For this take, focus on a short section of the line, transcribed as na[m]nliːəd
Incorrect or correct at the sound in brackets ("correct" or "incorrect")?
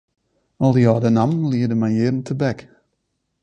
correct